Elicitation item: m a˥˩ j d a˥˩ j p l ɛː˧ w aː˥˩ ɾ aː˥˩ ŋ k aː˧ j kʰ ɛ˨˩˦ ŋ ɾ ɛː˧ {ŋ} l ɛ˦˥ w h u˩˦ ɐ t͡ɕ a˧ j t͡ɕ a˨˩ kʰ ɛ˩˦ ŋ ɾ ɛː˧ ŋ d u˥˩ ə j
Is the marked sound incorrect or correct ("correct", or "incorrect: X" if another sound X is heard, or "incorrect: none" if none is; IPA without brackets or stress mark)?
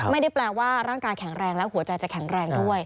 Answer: correct